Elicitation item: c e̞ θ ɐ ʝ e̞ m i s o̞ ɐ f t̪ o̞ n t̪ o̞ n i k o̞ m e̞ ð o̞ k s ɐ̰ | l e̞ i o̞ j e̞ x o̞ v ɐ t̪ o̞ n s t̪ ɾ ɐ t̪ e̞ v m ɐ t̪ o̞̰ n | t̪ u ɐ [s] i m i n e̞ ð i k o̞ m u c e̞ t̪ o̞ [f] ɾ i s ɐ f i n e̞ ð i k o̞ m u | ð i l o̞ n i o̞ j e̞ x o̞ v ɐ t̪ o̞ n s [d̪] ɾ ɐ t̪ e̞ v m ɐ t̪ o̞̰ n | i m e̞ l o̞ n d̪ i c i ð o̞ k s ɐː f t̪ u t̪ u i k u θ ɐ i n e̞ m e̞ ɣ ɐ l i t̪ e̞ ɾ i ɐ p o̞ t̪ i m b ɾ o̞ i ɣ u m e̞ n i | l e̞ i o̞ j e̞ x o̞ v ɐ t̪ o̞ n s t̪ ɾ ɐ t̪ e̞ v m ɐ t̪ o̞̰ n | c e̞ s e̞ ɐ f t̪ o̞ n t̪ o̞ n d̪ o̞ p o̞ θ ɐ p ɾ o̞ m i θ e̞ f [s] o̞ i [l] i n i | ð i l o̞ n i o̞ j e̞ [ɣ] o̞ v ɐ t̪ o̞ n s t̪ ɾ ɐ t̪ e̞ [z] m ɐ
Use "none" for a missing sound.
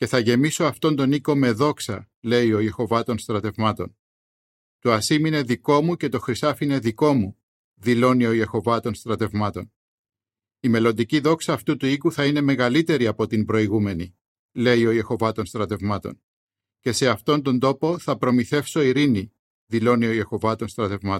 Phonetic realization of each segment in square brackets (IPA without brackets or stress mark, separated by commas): s, x, t̪, s, ɾ, x, v